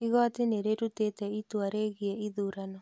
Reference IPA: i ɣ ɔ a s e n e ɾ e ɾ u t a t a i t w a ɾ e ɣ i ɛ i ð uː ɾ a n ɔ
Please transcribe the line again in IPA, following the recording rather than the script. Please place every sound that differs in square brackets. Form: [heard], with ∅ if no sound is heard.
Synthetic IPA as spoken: i ɣ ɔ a [t] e n e ɾ e ɾ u t [e] t [ɛ] i t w a ɾ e ɣ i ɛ i ð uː ɾ a n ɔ